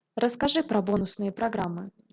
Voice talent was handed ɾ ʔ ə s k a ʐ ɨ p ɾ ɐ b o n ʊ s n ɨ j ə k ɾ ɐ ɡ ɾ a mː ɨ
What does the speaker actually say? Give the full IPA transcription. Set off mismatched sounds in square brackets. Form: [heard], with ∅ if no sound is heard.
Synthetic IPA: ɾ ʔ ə s k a ʐ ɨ p ɾ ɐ b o n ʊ s n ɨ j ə [p] ɾ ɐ ɡ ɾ a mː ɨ